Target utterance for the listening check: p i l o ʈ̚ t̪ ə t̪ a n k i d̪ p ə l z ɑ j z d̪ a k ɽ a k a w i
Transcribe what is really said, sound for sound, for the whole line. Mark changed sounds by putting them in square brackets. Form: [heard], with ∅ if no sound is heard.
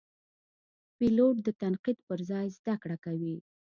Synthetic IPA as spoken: p i l o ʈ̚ [d̪] ə t̪ a n [q] i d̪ p ə [ɾ] z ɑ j z d̪ a k ɽ a k a w i